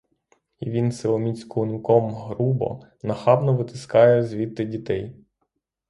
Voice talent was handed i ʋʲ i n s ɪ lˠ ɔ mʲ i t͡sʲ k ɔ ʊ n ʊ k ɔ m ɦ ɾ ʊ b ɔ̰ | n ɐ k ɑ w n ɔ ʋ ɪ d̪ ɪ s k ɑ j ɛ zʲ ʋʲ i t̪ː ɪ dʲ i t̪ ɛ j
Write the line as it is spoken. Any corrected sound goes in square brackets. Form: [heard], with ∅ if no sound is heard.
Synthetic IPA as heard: i ʋʲ i n s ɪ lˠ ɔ mʲ i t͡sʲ k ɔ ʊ n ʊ k ɔ m ɦ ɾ [u] b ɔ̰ | n ɐ [x] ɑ [b] n ɔ ʋ ɪ [t̪] ɪ s k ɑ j ɛ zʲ ʋʲ i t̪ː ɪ dʲ i t̪ ɛ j